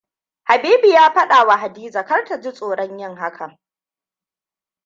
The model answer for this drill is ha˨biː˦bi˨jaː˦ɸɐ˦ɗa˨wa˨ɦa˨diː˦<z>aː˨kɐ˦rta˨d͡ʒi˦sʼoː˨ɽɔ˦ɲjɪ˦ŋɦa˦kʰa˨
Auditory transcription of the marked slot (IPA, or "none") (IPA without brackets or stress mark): z